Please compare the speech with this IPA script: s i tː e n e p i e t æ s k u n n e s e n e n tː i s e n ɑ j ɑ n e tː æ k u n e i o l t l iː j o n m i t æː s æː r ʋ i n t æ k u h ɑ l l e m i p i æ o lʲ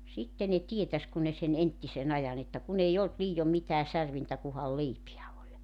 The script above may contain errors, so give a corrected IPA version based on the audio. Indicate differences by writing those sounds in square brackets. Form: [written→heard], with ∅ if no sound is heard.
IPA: s i tː e n e [p→t] i e t æ s k u n n e s e n e n tː i s e n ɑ j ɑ n e tː æ k u n e i o l t l iː j o [n→m] m i t æː s [æː→æ] r ʋ i n t æ k u h ɑ l l e [m→∅] i p i æ o lʲ

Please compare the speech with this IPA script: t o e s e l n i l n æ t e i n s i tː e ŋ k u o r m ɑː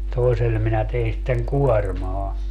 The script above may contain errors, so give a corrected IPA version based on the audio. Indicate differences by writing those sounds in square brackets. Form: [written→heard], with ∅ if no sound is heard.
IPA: t o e s e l [n→m] i [l→∅] n æ t e i n s i tː e ŋ k u [o→ɔ] r m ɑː

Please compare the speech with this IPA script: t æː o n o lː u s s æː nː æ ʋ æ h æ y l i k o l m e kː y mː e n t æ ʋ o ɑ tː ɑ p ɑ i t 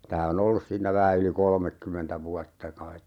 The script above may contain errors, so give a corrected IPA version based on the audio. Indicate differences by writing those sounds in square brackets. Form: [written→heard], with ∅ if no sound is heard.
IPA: t æː o n o lː u s s [æː→iː] nː æ ʋ æ h æ y l i k o l m e kː y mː e n t æ ʋ [o→u] ɑ tː ɑ [p→k] ɑ i t

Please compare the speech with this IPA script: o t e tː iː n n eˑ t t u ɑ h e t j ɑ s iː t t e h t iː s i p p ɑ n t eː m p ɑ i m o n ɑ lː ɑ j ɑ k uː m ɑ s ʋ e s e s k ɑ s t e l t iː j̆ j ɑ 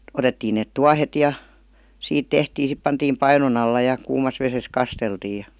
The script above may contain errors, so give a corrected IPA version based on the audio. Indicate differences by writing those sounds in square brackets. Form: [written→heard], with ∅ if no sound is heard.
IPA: o t e tː iː n n eˑ t t u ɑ h e t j ɑ s iː t t e h t iː s i p p ɑ n t [eː→iː] m p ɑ i [m→n] o n ɑ lː ɑ j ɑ k uː m ɑ s ʋ e s e s k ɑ s t e l t iː j̆ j ɑ

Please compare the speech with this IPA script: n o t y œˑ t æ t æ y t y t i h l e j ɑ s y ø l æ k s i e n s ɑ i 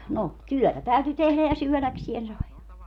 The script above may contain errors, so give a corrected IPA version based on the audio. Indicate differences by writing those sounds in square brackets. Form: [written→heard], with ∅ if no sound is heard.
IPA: n o t y œˑ t æ t æ y t y t [i→e] h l [e→æ] j ɑ s y ø l æ k s i e n s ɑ i

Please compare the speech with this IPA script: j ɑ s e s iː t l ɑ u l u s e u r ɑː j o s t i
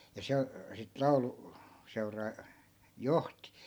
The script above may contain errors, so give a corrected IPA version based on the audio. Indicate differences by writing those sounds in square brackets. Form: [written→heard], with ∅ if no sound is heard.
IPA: j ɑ s e s [iː→i] t l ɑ u l u s e u r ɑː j o [s→h] t i

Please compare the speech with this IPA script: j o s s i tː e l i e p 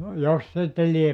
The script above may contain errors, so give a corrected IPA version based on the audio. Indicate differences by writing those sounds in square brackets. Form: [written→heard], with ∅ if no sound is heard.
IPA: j o s s i tː e l i e p

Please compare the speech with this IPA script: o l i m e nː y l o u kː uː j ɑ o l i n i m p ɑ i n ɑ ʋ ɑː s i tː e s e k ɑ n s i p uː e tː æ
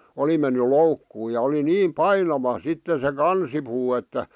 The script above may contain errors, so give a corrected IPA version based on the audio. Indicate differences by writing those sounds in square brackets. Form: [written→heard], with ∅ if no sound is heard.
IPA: o l i m e nː y l o u kː uː j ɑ o l i n [i→iː] m p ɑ i n ɑ ʋ [ɑː→ɑ] s i tː e s e k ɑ n s i p uː e tː æ

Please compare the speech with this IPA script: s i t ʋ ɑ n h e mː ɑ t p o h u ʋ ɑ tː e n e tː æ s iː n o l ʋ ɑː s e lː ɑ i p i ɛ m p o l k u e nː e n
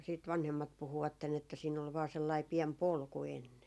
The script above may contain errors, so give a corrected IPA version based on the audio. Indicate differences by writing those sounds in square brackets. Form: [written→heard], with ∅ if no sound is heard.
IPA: s [i→iː] t ʋ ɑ n h e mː ɑ t p [o→u] h u ʋ ɑ tː e n e tː æ s iː n o l ʋ ɑː s e lː ɑ i p i ɛ m p o l k u e nː e n

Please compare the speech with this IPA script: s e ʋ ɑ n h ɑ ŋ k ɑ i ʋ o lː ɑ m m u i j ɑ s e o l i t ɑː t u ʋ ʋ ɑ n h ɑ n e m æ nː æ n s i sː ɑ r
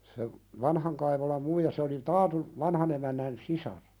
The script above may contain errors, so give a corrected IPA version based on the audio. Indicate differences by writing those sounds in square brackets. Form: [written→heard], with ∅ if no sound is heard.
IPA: s e ʋ ɑ n h ɑ ŋ k ɑ i ʋ o [lː→l] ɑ m m u i j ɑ s e o l i t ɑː t u ʋ ʋ ɑ n h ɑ n e m æ nː æ n s i [sː→s] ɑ r

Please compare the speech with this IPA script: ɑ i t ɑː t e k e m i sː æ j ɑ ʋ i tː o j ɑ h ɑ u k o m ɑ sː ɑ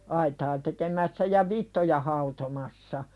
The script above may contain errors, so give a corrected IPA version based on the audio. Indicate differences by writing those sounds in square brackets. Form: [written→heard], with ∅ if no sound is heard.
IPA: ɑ i t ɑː t e k e m [i→æ] sː æ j ɑ ʋ i tː o j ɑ h ɑ u [k→t] o m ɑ sː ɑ

